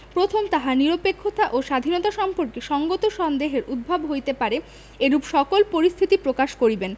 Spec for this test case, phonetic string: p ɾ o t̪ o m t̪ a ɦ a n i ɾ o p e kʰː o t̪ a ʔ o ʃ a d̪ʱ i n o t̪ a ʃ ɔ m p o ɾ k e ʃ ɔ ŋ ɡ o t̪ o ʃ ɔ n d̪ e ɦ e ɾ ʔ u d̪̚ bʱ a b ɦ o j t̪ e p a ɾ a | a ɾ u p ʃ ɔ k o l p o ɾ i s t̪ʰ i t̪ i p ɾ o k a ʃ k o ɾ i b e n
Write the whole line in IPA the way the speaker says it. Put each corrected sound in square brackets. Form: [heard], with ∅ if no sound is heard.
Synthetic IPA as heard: p ɾ o [t̪ʰ] o m t̪ a ɦ a n i ɾ o p e kʰː o t̪ a ʔ o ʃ a d̪ʱ i n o t̪ a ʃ ɔ m p o ɾ k e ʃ ɔ ŋ ɡ o t̪ o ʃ ɔ n d̪ e ɦ e ɾ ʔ u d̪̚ bʱ a b ɦ o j t̪ e p a ɾ [e] | [e] ɾ u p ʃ ɔ k o l p o ɾ i s t̪ʰ i t̪ i p ɾ o k a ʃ k o ɾ i b e n